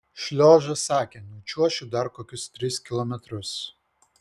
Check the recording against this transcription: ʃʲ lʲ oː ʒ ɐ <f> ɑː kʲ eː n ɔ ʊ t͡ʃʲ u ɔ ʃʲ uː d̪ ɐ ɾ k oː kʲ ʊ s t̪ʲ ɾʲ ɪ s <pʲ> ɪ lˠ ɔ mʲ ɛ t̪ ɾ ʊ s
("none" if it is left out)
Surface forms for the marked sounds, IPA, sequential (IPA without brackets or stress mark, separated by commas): s, kʲ